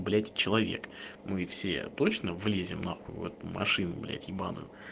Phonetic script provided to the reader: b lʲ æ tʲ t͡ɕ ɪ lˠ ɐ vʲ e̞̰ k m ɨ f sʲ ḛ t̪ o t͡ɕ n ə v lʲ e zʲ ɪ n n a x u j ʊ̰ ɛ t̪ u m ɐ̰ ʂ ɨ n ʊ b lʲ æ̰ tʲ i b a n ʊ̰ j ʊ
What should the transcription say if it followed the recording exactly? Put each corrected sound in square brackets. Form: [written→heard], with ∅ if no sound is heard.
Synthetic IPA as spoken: b lʲ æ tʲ t͡ɕ ɪ lˠ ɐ vʲ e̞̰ k m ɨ f sʲ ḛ t̪ o t͡ɕ n ə v lʲ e zʲ ɪ [n→m] n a x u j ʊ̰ ɛ t̪ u m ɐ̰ ʂ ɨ n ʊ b lʲ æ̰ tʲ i b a n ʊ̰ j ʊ